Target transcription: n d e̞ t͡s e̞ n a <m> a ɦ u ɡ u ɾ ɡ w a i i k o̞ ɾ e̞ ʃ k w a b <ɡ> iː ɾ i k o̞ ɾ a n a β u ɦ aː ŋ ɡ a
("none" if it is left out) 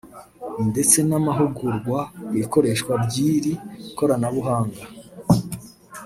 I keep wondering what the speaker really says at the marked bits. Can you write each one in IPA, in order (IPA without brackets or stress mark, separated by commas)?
m, ɟ